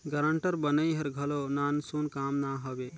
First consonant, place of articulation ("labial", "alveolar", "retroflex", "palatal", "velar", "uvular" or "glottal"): velar